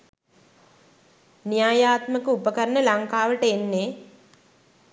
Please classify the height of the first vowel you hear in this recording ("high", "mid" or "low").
high